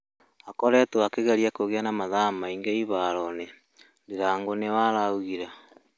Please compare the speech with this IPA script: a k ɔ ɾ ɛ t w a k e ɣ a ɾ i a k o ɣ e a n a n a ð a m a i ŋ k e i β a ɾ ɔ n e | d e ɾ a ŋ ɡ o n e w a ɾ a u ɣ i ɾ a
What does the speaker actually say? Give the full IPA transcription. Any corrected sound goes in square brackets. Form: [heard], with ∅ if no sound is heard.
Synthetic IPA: a k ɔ ɾ ɛ t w a k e ɣ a ɾ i a k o ɣ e a n a [m] a ð a m a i ŋ [ɡ] e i β a ɾ ɔ n e | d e ɾ a ŋ ɡ o n e w a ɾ a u ɣ i ɾ a